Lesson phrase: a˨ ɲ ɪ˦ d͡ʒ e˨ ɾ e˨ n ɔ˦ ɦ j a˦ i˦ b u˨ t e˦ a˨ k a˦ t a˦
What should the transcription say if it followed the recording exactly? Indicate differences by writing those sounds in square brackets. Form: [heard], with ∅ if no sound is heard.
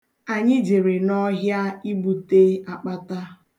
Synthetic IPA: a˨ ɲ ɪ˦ d͡ʒ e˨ ɾ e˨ n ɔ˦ ɦ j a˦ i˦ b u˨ t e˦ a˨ [k͡p] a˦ t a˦